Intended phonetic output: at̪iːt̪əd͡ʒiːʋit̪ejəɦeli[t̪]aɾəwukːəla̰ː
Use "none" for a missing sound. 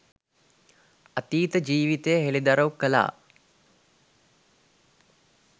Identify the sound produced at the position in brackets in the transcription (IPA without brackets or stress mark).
d̪